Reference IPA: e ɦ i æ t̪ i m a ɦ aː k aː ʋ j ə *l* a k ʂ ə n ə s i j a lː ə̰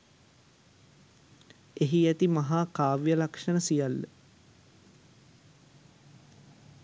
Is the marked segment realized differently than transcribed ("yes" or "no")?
no